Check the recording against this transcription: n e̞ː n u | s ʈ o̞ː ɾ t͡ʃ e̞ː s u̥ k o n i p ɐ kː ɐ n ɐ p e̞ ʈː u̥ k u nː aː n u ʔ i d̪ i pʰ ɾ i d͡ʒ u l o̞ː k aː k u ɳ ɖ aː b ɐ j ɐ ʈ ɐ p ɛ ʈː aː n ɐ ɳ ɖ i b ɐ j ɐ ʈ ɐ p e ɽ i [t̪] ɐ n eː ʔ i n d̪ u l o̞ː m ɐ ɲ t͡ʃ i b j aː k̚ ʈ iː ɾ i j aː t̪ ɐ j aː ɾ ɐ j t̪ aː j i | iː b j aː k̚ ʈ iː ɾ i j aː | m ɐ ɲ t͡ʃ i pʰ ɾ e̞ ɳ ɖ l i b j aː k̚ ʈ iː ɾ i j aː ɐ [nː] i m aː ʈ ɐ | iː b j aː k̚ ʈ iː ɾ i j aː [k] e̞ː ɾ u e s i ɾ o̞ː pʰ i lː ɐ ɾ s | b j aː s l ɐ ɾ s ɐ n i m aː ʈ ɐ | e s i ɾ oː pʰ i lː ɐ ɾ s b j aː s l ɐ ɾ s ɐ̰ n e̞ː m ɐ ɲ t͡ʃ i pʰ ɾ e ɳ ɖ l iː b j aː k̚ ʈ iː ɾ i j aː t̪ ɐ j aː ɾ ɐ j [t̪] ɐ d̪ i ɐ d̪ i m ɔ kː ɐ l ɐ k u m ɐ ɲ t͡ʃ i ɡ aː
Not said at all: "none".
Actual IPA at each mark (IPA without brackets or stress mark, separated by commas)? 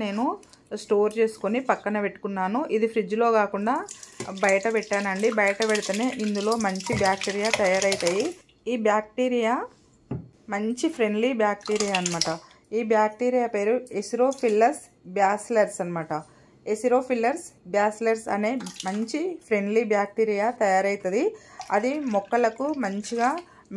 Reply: t̪, n, p, t̪